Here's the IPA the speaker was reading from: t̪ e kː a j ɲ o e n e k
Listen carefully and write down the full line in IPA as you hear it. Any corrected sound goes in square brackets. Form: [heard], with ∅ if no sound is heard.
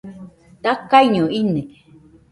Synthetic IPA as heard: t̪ [a] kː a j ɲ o [i] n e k